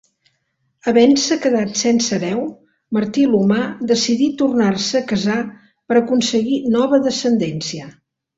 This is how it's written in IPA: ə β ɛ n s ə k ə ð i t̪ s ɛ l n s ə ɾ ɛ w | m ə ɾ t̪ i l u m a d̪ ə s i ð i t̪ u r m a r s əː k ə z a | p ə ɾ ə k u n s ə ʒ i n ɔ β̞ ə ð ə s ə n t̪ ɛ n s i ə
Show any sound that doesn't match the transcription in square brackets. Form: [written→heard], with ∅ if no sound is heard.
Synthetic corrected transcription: ə β ɛ n s ə k ə ð [i→a] t̪ s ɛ [l→∅] n s ə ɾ ɛ w | m ə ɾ t̪ i l u m a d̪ ə s i ð i t̪ u r [m→n] a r s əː k ə z a | p ə ɾ ə k u n s ə [ʒ→ɣ] i n ɔ β̞ ə ð ə s ə n [t̪→d̪] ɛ n s i ə